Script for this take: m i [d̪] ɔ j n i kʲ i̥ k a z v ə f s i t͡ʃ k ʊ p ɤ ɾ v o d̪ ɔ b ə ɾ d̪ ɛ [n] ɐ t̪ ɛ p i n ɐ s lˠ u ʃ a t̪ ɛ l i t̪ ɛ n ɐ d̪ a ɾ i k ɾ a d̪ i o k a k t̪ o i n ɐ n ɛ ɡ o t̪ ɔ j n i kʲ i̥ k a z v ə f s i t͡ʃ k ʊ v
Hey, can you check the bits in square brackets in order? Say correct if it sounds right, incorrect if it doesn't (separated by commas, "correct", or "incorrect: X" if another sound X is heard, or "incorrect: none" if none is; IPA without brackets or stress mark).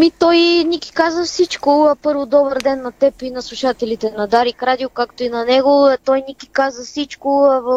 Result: incorrect: t̪, incorrect: nː